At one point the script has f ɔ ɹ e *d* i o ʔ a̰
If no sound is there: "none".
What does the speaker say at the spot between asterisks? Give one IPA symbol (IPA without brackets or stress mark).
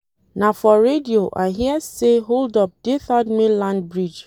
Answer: d